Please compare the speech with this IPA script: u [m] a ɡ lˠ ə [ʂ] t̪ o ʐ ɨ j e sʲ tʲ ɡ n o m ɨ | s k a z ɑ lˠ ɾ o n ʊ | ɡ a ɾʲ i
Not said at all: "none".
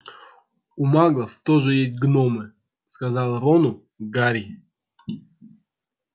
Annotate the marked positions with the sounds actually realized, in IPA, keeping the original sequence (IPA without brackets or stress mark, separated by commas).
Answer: m, f